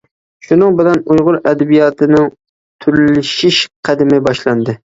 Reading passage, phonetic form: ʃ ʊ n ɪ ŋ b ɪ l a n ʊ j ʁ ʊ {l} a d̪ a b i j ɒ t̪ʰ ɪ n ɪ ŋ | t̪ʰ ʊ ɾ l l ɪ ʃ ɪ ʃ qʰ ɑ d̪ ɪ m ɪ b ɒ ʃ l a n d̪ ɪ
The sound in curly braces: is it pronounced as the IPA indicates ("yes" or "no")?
no